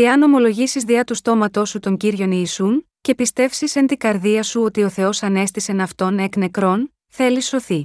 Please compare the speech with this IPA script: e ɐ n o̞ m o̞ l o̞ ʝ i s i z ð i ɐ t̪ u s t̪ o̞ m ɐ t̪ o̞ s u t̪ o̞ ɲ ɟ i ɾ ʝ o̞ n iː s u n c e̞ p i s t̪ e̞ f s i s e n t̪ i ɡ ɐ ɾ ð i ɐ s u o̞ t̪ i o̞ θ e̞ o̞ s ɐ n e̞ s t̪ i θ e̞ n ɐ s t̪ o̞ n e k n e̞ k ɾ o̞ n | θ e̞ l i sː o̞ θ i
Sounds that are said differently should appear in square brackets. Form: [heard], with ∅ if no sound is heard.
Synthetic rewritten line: e ɐ n o̞ m o̞ l o̞ ʝ i s i z ð i ɐ t̪ u s t̪ o̞ m ɐ t̪ o̞ s u t̪ o̞ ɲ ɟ i ɾ ʝ o̞ n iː s u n c e̞ p i s t̪ e̞ f s i s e n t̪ i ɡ ɐ ɾ ð i ɐ s u o̞ t̪ i o̞ θ e̞ o̞ s ɐ n e̞ s t̪ i [s] e̞ n ɐ [f] t̪ o̞ n e k n e̞ k ɾ o̞ n | θ e̞ l i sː o̞ θ i